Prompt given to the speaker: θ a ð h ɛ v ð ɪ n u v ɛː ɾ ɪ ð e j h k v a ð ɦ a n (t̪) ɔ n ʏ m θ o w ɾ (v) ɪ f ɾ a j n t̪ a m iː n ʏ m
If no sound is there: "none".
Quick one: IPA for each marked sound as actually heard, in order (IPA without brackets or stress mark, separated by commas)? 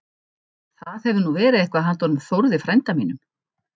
t̪, ð